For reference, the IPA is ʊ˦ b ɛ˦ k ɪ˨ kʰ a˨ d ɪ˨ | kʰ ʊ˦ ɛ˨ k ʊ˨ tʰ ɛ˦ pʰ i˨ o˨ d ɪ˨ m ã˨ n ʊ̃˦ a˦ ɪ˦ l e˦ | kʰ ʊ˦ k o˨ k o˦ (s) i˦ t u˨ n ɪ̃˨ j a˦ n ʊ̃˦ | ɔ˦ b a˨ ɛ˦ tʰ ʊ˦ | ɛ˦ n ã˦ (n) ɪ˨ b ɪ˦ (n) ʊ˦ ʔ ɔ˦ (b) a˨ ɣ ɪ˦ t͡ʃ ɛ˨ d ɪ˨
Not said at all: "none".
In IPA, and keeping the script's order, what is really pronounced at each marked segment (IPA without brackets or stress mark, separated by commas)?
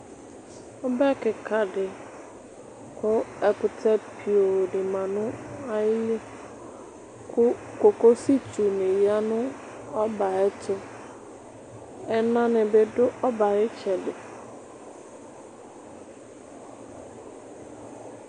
s, n, d, b